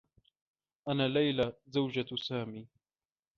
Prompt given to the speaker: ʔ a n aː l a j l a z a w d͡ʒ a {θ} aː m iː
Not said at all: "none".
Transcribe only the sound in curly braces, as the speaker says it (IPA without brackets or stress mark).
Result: s